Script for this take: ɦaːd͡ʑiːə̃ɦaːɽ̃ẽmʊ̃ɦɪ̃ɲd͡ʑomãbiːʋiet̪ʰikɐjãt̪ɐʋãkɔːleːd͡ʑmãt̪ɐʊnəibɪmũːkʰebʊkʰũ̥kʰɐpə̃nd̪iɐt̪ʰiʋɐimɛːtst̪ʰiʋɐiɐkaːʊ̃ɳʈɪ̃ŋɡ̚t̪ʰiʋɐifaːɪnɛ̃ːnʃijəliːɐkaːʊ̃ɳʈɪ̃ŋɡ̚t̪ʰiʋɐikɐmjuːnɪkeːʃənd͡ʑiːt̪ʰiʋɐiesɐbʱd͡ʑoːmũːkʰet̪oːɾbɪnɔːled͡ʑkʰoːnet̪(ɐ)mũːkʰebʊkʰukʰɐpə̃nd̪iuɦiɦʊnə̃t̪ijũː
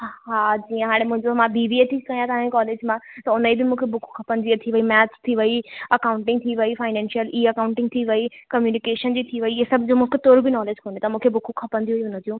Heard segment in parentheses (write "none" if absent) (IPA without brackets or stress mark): ɐ